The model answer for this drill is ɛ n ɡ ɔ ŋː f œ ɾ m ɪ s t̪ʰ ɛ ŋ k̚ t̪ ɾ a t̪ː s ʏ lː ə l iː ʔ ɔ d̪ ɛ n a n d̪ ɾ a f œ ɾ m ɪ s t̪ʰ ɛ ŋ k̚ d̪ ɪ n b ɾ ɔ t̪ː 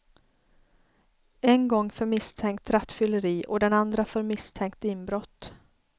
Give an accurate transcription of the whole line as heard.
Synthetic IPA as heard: ɛ n ɡ ɔ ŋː f œ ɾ m ɪ s t̪ʰ ɛ ŋ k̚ t̪ ɾ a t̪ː f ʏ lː ə ɾ iː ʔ ɔ d̪ ɛ n a n d̪ ɾ a f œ ɾ m ɪ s t̪ʰ ɛ ŋ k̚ t̪ ɪ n b ɾ ɔ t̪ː

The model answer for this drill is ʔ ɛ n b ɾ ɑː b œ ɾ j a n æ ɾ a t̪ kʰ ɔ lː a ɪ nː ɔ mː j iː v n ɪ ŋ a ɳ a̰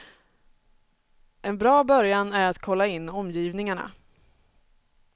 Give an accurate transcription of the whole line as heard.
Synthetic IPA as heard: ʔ ɛ n b ɾ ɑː b œ ɾ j a n æ ɾ a t̪ kʰ ɔ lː a ɪ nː ɔ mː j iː v n ɪ ŋ a ɳ a̰

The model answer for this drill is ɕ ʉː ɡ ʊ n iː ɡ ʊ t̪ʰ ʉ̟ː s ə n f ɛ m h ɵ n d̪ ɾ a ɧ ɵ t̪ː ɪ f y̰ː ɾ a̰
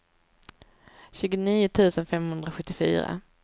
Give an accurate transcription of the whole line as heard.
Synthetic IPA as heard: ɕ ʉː ɡ ʊ n iː ʊ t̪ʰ ʉ̟ː s ə n f ɛ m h ɵ n d̪ ɾ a ɧ ɵ t̪ː ɪ f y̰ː ɾ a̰

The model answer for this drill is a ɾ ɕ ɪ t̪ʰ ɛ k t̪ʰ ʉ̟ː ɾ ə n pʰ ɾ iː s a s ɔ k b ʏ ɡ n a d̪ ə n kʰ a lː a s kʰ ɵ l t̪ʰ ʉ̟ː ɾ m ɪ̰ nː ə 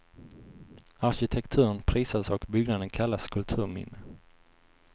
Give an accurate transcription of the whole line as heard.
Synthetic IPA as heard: a ɾ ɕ ɪ t̪ʰ ɛ k t̪ʰ ʉ̟ː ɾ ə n pʰ ɾ iː s a s ɔ k b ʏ ɡ n a d̪ ə n kʰ a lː a s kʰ ɵ l t̪ʰ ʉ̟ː ɾ m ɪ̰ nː ə

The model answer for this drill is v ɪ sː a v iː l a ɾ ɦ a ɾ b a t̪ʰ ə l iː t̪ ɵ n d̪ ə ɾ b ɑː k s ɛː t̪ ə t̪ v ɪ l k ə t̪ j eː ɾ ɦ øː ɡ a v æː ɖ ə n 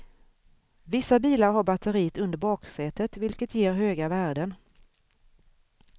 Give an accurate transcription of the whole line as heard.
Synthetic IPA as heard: v ɪ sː a b iː l a ɾ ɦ a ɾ b a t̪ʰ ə ɾ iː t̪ ɵ n d̪ ə ɾ b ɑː k s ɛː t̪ ə t̪ v ɪ l k ə t̪ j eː ɾ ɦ øː ɡ a v æː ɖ ə n

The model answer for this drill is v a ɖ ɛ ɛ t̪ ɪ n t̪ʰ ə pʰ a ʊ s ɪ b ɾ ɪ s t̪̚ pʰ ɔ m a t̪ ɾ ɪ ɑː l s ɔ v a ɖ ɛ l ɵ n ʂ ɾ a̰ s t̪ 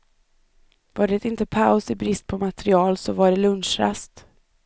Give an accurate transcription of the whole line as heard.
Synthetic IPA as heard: v a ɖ ɛ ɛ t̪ ɪ n t̪ ə pʰ a ʊ s ɪ b ɾ ɪ s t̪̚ pʰ ɔ m a t̪ ɾ ɪ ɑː l s ɔ v a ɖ ɛ l ɵ n ʂ ɾ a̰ s t̪

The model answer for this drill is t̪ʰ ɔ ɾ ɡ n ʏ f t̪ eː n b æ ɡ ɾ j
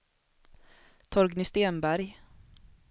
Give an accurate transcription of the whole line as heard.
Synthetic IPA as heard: t̪ʰ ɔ ɾ ɡ n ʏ s t̪ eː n b æ ɾ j

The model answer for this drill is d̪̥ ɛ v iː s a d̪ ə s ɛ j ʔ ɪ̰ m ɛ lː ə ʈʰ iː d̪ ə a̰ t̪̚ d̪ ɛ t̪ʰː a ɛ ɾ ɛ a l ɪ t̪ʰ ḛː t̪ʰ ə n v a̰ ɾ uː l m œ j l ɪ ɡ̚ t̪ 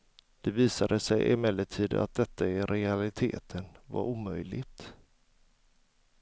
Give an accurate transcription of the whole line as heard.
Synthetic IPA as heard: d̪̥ ɛ v iː s a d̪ ə s ɛ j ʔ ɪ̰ m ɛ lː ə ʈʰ iː d̪ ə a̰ t̪̚ d̪ ɛ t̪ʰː a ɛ ɾ ɛ a l ɪ t̪ʰ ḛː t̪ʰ ə n v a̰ ɾ uː m œ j l ɪ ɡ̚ t̪

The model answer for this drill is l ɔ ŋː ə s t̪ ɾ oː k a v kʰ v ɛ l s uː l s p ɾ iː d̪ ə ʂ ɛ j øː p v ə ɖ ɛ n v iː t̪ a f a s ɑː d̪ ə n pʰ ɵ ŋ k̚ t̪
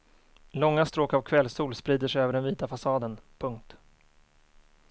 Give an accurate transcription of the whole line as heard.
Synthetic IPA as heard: l ɔ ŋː a s t̪ ɾ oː k a v kʰ v ɛ l s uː l s p ɾ iː d̪ ə ʂ ɛ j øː v ə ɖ ɛ n v iː t̪ a f a s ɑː d̪ ə n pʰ ɵ ŋ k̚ t̪

